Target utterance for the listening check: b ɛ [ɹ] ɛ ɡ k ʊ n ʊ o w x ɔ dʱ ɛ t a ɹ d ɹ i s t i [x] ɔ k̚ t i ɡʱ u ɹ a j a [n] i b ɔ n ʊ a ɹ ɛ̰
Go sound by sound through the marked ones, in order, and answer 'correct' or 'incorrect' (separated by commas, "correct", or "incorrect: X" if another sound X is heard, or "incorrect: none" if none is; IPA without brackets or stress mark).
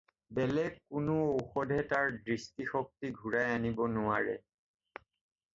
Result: incorrect: l, correct, correct